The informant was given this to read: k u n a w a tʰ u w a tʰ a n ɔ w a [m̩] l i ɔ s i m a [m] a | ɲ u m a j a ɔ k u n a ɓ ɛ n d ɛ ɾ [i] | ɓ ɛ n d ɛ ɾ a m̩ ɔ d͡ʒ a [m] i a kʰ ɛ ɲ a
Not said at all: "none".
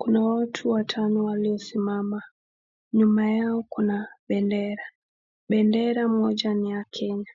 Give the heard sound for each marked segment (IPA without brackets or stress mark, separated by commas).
none, m, a, n